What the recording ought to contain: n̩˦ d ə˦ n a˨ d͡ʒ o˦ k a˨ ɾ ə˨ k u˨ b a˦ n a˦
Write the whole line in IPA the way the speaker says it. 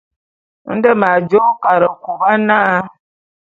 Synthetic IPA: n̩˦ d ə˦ m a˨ d͡ʒ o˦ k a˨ ɾ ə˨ k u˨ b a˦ n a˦